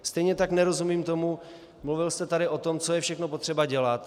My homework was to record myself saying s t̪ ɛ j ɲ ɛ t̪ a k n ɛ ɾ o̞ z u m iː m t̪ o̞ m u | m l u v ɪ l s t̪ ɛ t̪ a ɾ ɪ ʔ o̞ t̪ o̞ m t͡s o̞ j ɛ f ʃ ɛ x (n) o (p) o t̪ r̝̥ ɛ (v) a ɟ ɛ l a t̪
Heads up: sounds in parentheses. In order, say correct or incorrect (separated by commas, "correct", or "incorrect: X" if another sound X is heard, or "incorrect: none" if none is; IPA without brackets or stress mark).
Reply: correct, correct, incorrect: b